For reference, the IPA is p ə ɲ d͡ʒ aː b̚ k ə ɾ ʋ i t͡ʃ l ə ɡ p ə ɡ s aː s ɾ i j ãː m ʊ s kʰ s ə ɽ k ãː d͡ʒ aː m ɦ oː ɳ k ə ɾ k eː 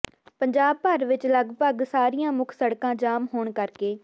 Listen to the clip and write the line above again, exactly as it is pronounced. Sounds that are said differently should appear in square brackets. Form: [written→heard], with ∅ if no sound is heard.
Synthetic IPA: p ə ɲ d͡ʒ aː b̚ [k→p] ə ɾ ʋ [i→ɪ] t͡ʃ l ə ɡ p ə ɡ s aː [s→∅] ɾ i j ãː m ʊ [s→∅] kʰ s ə ɽ k ãː d͡ʒ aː m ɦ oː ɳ k ə ɾ k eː